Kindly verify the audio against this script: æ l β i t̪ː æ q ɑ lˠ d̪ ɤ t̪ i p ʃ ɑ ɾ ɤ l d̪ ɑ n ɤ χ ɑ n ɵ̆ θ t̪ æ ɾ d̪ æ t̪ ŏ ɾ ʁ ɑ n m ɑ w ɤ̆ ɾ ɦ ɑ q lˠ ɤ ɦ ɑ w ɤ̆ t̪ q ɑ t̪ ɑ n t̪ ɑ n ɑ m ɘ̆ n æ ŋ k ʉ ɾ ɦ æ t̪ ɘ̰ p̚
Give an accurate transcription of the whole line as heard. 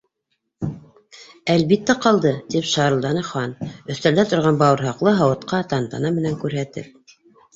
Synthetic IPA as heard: æ l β i t̪ː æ q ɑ lˠ d̪ ɤ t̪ i p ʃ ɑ ɾ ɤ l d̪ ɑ n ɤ χ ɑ n ɵ̆ θ t̪ æ l d̪ æ t̪ ŏ ɾ ʁ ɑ n b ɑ w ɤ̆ ɾ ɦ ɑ q lˠ ɤ ɦ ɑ w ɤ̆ t̪ q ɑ t̪ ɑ n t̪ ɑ n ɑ m ɘ̆ n æ ŋ k ʉ ɾ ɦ æ t̪ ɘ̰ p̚